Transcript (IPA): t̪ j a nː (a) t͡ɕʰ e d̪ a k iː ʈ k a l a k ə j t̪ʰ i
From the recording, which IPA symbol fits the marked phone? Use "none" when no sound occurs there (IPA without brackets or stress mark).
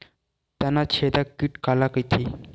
a